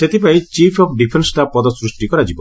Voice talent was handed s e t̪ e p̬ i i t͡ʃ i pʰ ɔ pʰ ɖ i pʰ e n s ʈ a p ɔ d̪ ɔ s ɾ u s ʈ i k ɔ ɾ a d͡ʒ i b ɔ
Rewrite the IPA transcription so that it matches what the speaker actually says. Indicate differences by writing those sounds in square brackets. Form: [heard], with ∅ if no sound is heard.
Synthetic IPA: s e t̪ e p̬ [a] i t͡ʃ i pʰ ɔ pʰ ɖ i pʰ e n s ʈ a p ɔ d̪ ɔ s ɾ u s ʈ i k ɔ ɾ a d͡ʒ i b ɔ